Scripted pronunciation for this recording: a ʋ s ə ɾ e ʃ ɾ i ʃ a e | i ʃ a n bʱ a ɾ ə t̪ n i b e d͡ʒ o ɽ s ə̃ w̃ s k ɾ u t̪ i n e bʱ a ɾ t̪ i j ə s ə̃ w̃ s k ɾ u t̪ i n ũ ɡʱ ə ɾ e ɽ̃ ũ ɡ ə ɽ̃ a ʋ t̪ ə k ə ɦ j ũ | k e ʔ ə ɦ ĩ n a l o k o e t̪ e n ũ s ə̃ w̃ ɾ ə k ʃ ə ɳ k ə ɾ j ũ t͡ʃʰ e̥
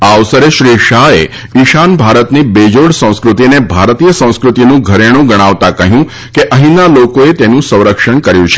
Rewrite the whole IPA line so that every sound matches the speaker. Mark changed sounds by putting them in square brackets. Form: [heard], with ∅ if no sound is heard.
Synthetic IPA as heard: a ʋ s ə ɾ e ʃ ɾ i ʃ a e | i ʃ a n bʱ a ɾ ə t̪ n i b e d͡ʒ o ɽ s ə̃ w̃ s k ɾ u t̪ i n e bʱ a ɾ t̪ i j ə s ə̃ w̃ s k ɾ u t̪ i n ũ ɡʱ ə ɾ e ɽ̃ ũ ɡ ə ɽ̃ a ʋ t̪ [a] k ə ɦ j ũ | k e ʔ ə ɦ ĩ n a l o k o e t̪ e n ũ s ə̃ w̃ ɾ ə k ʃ ə ɳ k ə ɾ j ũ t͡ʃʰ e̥

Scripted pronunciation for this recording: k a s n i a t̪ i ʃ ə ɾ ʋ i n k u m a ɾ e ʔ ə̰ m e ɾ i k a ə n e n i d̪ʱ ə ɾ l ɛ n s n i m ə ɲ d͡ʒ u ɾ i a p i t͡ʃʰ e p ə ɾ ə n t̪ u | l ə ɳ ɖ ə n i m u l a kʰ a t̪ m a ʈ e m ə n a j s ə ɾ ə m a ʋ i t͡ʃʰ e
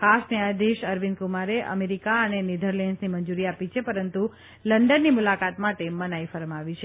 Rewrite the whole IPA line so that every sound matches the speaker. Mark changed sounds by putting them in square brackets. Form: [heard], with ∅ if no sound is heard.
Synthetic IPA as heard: k a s n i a [d̪] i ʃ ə ɾ ʋ i n k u m a ɾ e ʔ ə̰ m e ɾ i k a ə n e n i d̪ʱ ə ɾ l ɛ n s n i m ə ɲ d͡ʒ u ɾ i a p i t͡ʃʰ e p ə ɾ ə n t̪ u | l ə ɳ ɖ ə [nː] i m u l a [k] a t̪ m a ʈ e m ə n a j [f] ə ɾ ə m a ʋ i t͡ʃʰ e

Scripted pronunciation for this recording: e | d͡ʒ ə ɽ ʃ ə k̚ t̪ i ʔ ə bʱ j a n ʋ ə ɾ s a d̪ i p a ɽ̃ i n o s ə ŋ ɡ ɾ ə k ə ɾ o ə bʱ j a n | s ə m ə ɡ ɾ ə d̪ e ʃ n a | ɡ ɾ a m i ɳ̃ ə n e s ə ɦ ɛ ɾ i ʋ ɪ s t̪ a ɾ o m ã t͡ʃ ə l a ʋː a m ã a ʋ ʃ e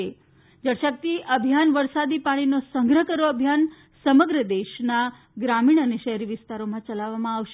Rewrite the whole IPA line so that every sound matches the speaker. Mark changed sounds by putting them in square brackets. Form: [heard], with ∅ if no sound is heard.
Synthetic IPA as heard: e | d͡ʒ ə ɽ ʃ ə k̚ t̪ i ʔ ə bʱ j a n ʋ ə ɾ s a d̪ i p a ɽ̃ i n o s ə ŋ ɡ ɾ ə k ə ɾ o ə bʱ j a n | s ə m ə ɡ ɾ ə d̪ e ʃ n a | ɡ ɾ a m i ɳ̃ ə n e [ʃ] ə ɦ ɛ ɾ i ʋ ɪ s t̪ a ɾ o m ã t͡ʃ ə l a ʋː a m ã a ʋ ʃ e

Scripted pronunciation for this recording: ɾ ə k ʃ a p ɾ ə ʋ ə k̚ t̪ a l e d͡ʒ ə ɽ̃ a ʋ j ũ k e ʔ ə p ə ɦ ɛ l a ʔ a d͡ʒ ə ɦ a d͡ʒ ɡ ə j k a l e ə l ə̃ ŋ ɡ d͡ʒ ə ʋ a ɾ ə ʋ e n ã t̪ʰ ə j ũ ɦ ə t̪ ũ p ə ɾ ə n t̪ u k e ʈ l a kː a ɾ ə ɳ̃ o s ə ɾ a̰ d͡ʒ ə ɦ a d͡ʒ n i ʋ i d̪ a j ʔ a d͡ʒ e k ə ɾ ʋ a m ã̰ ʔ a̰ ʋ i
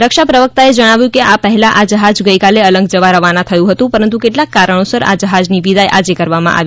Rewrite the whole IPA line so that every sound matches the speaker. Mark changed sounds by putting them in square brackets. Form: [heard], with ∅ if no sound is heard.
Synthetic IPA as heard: ɾ ə k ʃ a p ɾ ə ʋ ə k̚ t̪ a [∅] e d͡ʒ ə ɽ̃ a ʋ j ũ k e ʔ [a] p ə ɦ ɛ l a ʔ a d͡ʒ ə ɦ a d͡ʒ ɡ ə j k a l e ə l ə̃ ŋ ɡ d͡ʒ ə ʋ a ɾ ə ʋ [a] n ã t̪ʰ ə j ũ ɦ ə t̪ ũ p ə ɾ ə n t̪ u k e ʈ l a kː a ɾ ə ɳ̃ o s ə ɾ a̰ d͡ʒ ə ɦ a d͡ʒ n i ʋ i d̪ a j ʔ a d͡ʒ e k ə ɾ ʋ a m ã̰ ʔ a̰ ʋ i

